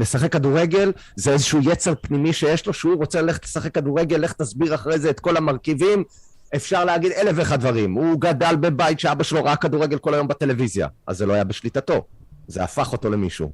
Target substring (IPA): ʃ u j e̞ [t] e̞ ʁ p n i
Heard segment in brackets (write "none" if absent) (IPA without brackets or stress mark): t͡s